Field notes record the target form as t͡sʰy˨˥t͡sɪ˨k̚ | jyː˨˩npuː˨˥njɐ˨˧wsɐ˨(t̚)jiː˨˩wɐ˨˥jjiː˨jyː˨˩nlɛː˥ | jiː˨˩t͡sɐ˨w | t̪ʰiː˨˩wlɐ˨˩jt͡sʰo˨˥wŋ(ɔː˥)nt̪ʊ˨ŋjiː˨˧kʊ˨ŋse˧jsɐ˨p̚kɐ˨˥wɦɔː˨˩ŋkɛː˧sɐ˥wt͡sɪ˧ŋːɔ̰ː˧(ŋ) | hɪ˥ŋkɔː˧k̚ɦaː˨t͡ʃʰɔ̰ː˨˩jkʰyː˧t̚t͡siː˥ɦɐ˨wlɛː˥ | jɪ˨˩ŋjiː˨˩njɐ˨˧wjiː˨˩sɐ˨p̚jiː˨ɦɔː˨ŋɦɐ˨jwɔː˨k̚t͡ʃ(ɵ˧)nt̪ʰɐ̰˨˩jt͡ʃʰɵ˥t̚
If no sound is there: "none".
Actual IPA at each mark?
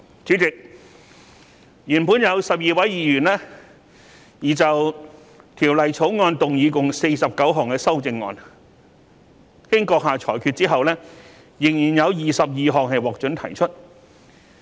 p̚, ɔː˧, n, ɵ˨˥

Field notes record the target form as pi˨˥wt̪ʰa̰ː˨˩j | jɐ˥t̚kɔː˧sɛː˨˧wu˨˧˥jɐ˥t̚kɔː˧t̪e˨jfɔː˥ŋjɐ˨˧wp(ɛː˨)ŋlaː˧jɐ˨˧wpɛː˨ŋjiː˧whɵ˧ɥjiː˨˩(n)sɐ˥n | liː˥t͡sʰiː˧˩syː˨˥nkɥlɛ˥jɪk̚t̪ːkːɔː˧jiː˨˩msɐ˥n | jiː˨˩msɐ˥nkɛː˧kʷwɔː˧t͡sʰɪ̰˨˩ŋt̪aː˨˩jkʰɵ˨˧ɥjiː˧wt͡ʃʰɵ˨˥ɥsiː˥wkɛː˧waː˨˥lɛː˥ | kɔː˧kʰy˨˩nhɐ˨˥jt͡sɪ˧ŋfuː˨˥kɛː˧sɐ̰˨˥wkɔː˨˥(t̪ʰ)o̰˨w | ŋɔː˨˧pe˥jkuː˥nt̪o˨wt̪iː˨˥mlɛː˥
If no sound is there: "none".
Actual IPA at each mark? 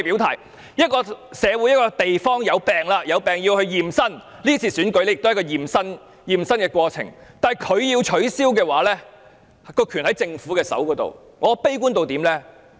ɛː˨, m, t̪

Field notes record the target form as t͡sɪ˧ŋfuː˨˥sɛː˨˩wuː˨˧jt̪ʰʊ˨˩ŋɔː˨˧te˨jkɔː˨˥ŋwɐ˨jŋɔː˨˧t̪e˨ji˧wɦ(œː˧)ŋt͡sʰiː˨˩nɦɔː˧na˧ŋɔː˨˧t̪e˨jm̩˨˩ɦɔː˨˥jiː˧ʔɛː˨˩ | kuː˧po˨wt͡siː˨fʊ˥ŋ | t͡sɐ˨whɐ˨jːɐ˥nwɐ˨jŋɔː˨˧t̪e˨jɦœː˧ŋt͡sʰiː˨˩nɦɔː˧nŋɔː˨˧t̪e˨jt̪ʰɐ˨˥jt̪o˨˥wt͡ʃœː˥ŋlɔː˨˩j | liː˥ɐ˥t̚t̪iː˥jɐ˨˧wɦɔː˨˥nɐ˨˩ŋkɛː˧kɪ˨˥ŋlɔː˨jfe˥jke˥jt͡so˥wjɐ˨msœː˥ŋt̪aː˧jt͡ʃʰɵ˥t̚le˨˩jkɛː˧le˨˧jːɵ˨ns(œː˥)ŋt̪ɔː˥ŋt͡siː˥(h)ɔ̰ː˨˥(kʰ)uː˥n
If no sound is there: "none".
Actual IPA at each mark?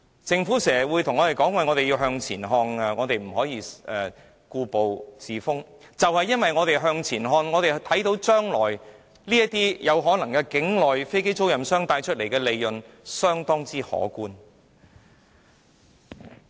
œː˧, œː˥, h, k

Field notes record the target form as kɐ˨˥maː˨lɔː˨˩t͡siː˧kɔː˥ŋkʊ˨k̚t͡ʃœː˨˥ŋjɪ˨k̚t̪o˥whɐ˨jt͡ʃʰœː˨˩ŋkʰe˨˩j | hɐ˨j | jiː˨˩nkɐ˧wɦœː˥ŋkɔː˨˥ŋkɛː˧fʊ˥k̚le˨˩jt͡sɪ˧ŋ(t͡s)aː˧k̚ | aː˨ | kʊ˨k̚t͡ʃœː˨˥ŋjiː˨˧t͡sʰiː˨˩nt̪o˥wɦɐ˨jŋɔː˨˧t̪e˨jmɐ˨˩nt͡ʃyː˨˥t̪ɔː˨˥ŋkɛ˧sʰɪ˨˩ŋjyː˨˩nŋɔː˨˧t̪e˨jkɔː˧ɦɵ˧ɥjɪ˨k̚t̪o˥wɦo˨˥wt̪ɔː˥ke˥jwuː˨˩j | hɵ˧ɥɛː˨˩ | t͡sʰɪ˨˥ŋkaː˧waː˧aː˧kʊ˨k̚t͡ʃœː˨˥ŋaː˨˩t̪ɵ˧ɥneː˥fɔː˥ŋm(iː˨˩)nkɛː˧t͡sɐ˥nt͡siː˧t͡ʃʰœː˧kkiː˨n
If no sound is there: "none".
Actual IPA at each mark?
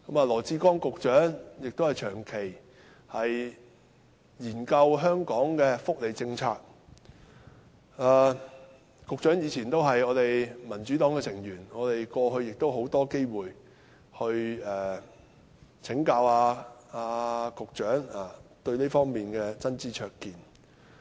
t͡sʰ, iː˨˩

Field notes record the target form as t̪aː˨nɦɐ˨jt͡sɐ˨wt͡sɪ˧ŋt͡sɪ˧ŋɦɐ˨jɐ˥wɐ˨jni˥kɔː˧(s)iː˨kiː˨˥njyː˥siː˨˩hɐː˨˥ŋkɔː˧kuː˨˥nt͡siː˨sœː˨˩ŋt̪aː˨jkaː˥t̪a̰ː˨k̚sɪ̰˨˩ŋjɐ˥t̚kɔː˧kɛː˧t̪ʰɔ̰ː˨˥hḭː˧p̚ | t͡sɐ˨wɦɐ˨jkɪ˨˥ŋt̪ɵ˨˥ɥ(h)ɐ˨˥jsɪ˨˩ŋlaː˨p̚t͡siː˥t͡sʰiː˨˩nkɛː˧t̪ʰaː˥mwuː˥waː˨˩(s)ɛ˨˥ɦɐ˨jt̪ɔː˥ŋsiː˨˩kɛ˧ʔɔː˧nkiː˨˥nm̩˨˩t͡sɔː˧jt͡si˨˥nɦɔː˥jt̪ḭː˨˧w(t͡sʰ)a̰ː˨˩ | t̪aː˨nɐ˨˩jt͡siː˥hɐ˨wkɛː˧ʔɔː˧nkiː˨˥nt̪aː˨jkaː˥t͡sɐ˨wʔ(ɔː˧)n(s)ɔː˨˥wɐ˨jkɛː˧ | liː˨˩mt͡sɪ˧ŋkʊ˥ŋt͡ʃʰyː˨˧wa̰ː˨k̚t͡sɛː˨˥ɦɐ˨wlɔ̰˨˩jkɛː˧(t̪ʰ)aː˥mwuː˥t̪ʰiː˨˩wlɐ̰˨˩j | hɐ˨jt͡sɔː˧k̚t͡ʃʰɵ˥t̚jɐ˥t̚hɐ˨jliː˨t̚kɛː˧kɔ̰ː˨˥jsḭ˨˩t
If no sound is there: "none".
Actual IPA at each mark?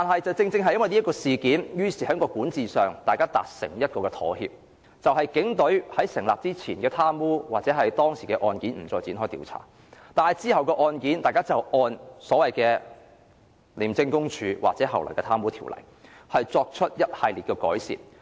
s, h, t͡s, t͡sʰ, ɔː˧, s, t̪ʰ

